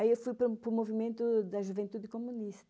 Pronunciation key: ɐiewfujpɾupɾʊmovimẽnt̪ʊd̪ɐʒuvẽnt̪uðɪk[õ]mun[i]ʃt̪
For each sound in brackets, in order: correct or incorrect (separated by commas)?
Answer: incorrect, correct